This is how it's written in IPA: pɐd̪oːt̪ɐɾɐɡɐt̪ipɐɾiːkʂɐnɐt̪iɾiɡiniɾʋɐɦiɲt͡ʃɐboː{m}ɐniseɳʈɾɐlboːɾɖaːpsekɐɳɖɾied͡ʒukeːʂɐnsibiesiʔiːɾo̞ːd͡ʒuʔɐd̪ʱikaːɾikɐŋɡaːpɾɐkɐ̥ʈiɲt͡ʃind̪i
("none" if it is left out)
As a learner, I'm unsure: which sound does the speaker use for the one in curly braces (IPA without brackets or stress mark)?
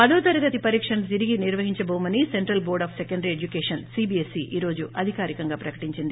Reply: m